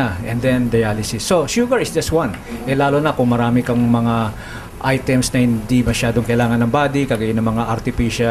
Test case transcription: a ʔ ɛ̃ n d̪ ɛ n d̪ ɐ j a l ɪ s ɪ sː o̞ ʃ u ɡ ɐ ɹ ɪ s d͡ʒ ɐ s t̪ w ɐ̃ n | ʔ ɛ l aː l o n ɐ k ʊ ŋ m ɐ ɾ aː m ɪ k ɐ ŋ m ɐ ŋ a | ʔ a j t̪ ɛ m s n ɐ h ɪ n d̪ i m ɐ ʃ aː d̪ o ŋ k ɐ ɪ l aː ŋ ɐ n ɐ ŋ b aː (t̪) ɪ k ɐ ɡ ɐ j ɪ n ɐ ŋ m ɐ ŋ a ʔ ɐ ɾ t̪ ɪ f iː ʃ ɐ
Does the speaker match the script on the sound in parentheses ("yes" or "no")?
no